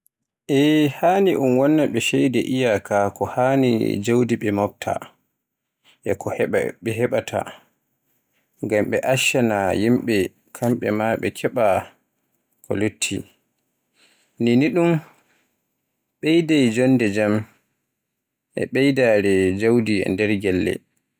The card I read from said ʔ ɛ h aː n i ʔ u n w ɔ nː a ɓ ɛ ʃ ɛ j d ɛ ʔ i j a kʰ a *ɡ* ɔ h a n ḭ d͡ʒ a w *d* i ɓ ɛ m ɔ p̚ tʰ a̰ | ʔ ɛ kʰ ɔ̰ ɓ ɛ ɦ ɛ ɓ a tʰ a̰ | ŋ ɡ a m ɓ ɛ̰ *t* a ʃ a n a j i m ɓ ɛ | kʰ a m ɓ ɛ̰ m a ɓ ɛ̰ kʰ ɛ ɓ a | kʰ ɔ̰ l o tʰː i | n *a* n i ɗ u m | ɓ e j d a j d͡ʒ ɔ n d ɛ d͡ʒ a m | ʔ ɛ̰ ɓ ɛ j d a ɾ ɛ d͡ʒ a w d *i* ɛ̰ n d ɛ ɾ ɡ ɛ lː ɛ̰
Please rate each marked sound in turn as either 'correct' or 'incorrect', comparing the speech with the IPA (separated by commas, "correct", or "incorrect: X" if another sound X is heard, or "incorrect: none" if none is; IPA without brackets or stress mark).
incorrect: k, correct, incorrect: ʔ, incorrect: i, correct